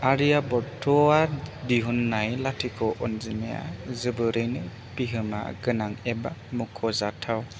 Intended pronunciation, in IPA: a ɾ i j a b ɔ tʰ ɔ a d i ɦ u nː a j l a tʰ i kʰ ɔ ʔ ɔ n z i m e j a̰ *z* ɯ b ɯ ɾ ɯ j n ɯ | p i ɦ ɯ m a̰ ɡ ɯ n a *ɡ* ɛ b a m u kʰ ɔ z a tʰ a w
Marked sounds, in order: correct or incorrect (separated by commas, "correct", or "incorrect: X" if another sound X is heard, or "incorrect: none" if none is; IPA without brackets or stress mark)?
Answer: correct, incorrect: ŋ